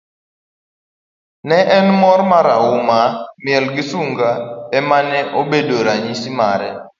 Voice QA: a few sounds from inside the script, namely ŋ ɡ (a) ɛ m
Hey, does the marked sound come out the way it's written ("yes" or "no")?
yes